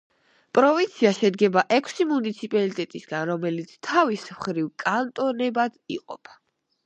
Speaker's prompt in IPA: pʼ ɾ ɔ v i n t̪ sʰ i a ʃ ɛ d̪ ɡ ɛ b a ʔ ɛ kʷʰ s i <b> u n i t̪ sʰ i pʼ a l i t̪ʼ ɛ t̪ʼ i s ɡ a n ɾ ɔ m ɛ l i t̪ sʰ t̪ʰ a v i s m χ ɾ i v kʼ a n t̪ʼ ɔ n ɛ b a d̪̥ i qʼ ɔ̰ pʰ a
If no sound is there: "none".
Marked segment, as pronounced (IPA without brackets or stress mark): m